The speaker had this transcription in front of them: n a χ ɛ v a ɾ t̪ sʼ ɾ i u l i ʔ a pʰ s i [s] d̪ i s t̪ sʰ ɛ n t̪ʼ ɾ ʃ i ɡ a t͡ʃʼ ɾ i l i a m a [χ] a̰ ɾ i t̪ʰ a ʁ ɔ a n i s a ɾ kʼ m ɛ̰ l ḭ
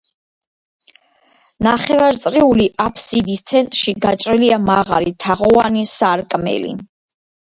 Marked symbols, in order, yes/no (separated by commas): no, no